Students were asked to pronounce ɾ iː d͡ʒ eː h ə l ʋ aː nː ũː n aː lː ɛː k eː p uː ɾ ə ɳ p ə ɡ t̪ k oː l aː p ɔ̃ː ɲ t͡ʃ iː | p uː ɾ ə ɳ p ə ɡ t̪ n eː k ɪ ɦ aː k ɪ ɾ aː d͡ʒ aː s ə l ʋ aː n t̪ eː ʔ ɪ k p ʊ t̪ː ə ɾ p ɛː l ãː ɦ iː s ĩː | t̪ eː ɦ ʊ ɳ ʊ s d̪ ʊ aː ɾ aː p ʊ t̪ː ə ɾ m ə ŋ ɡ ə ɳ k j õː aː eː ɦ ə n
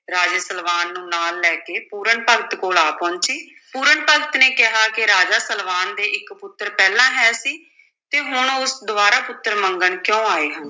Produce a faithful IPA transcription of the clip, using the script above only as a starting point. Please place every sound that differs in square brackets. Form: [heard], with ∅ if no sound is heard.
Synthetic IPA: ɾ [aː] d͡ʒ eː [s] ə l ʋ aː nː ũː n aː lː ɛː k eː p uː ɾ ə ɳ p ə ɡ t̪ k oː l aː p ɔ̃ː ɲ t͡ʃ iː | p uː ɾ ə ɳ p ə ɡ t̪ n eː k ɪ ɦ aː k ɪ ɾ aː d͡ʒ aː s ə l ʋ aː n [d̪] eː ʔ ɪ k p ʊ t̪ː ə ɾ p ɛː l ãː ɦ [ɛː] s [iː] | t̪ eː ɦ ʊ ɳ ʊ s d̪ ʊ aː ɾ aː p ʊ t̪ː ə ɾ m ə ŋ ɡ ə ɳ k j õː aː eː ɦ ə n